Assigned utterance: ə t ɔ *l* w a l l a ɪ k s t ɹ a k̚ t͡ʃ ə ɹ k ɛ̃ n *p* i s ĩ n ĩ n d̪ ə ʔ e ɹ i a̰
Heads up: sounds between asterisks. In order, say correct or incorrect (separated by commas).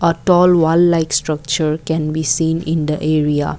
correct, incorrect